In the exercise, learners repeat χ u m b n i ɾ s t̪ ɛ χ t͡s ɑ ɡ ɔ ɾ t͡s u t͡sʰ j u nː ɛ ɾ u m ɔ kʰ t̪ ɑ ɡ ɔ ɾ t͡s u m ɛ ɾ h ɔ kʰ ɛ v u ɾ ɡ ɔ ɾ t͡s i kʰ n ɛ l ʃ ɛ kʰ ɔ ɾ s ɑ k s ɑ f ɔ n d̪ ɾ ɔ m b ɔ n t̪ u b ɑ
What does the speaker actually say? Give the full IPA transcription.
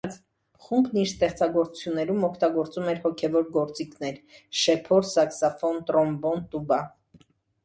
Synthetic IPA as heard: χ u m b n i ɾ s t̪ ɛ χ t͡s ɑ ɡ ɔ ɾ t͡s u t͡sʰ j u nː ɛ ɾ u m ɔ kʰ t̪ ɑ ɡ ɔ ɾ t͡s u m ɛ ɾ h ɔ kʰ ɛ v ɔ ɾ ɡ ɔ ɾ t͡s i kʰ n ɛ ɾ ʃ ɛ pʰ ɔ ɾ s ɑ k s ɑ f ɔ n t̪ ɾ ɔ m b ɔ n t̪ u b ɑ